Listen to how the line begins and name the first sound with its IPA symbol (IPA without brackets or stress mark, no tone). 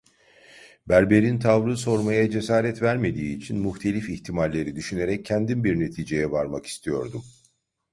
b